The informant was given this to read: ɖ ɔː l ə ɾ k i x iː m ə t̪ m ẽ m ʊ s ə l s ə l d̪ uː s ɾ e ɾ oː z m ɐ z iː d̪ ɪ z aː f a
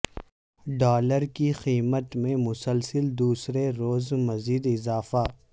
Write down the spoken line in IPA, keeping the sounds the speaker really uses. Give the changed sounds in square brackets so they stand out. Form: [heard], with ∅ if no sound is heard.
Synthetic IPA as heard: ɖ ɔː l ə ɾ k i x iː m ə t̪ m ẽ m ʊ s ə l s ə l d̪ uː s ɾ e ɾ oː z m ɐ z iː d̪ ɪ z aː f a

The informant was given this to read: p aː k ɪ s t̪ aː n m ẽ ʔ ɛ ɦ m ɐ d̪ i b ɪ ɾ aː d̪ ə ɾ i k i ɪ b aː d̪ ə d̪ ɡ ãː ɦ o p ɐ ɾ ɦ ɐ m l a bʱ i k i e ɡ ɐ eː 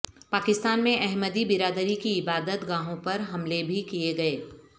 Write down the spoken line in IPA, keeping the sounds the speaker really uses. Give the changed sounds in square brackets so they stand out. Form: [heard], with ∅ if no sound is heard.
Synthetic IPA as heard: p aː k ɪ s t̪ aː n m ẽ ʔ ɛ ɦ m [ə] d̪ i b ɪ ɾ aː d̪ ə ɾ i k i ɪ b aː d̪ ə [t̪] ɡ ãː ɦ [õ] p ɐ ɾ ɦ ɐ m l [e] bʱ i k i e ɡ ɐ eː

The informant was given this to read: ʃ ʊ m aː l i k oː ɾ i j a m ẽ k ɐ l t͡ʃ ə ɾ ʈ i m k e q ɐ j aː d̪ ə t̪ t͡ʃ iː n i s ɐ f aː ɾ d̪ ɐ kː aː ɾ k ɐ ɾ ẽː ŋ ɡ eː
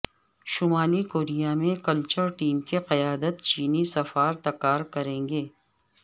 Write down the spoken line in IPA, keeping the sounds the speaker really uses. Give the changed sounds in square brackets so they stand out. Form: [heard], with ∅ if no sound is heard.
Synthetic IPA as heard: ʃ ʊ m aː l i k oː ɾ i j a m ẽ k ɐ l t͡ʃ ə ɾ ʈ [iː] m k e q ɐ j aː d̪ ə t̪ t͡ʃ iː n i s ɐ f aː ɾ [t̪] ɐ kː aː ɾ k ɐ ɾ ẽː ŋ ɡ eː

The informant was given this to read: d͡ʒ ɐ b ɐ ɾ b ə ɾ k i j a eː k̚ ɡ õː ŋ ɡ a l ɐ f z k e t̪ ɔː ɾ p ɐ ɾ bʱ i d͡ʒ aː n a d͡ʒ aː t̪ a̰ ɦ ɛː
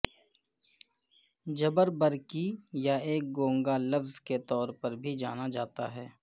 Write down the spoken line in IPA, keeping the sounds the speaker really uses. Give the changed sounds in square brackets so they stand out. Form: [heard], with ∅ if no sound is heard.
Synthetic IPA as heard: d͡ʒ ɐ b [ə] ɾ b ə ɾ k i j a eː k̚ ɡ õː ŋ ɡ a l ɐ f z k e t̪ ɔː ɾ p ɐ ɾ bʱ i d͡ʒ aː n a d͡ʒ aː t̪ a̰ ɦ ɛː

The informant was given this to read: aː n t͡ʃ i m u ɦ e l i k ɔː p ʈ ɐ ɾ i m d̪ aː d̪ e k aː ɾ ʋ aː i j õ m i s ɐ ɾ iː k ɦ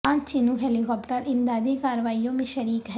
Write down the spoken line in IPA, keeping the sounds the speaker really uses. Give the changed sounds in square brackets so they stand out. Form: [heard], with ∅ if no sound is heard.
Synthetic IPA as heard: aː n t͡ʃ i [n] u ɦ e l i k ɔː p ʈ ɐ ɾ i m d̪ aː d̪ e k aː ɾ ʋ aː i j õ m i [ʃ] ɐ ɾ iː k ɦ

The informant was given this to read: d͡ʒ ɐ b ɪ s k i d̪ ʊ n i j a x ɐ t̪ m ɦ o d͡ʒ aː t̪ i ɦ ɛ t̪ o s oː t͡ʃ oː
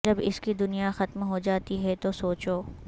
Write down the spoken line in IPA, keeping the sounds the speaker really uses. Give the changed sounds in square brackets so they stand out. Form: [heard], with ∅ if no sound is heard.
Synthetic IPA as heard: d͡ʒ ɐ b ɪ s k i d̪ ʊ n i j a x ɐ t̪ m ɦ o d͡ʒ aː t̪ i ɦ ɛ t̪ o s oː t͡ʃ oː

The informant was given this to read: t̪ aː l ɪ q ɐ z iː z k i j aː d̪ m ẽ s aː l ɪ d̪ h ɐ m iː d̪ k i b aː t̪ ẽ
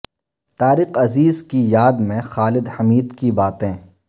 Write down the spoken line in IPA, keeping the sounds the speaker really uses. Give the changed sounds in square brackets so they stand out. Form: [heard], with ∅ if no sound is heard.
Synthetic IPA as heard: t̪ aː [ɾ] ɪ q ɐ z iː z k i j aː d̪ m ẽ [x] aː l ɪ d̪ h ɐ m iː d̪ k i b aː t̪ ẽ

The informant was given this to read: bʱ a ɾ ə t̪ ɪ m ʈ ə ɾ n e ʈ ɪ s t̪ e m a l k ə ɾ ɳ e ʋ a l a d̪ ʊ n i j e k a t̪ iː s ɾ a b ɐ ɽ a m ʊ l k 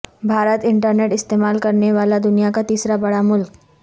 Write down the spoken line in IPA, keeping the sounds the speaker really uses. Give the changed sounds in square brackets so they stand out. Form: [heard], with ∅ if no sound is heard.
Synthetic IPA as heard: bʱ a ɾ ə t̪ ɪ [ɳ] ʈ ə ɾ n e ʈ ɪ s t̪ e m a l k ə ɾ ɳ e ʋ a l a d̪ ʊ n i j [a] k a t̪ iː s ɾ a b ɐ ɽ a m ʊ l k

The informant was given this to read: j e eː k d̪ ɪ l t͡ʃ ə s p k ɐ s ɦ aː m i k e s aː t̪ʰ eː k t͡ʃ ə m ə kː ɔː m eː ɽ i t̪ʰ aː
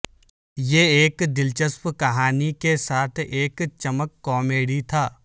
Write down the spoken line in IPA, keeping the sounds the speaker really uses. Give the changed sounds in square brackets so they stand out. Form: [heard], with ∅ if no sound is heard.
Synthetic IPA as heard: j e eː k d̪ ɪ l t͡ʃ ə s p k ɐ [∅] ɦ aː [n] i k e s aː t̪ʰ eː k t͡ʃ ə m ə kː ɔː m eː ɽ i t̪ʰ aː

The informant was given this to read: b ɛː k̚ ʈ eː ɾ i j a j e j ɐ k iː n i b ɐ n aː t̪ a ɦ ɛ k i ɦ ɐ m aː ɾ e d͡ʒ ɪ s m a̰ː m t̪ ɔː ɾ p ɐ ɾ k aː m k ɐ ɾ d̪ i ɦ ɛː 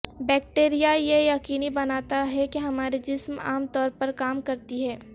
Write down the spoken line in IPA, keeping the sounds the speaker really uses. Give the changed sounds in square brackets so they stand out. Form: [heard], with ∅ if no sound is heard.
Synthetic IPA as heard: b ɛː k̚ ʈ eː ɾ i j a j e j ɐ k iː n i b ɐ n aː t̪ a ɦ ɛ k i ɦ ɐ m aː ɾ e d͡ʒ ɪ s m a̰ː m t̪ ɔː ɾ p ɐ ɾ k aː m k ɐ ɾ [t̪] i ɦ ɛː

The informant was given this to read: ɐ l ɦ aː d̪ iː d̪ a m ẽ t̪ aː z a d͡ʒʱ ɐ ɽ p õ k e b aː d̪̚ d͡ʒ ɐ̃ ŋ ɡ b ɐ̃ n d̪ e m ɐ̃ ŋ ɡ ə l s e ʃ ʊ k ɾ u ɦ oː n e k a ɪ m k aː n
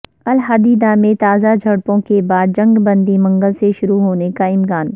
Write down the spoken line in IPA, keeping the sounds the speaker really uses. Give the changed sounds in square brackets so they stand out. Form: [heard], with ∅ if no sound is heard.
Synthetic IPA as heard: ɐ l ɦ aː d̪ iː d̪ a m ẽ t̪ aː z a d͡ʒʱ ɐ ɽ p õ k e b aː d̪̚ d͡ʒ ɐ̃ ŋ ɡ b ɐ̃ n d̪ [i] m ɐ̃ ŋ ɡ ə l s e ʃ ʊ [∅] ɾ u ɦ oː n e k a ɪ m k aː n

